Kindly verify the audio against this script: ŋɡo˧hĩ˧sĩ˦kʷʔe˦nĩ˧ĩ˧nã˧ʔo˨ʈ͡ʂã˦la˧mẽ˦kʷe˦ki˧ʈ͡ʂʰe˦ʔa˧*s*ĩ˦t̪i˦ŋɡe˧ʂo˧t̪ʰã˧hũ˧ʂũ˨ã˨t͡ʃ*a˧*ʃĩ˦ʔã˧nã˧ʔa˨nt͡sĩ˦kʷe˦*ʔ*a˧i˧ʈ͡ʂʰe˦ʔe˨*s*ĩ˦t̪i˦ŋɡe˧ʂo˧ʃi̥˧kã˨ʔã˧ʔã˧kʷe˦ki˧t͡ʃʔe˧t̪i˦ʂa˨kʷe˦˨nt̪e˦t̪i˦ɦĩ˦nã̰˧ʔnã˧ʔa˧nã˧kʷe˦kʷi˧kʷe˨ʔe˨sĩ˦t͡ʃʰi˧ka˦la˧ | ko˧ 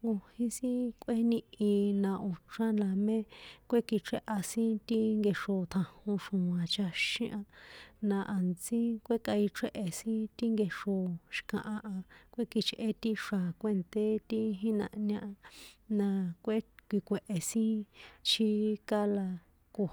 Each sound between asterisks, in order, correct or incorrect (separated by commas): correct, correct, incorrect, correct